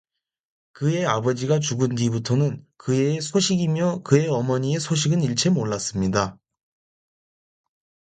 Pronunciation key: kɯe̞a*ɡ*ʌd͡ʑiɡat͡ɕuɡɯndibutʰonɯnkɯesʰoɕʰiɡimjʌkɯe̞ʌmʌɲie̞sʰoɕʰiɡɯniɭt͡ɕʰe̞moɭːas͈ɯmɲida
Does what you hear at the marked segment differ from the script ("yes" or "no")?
yes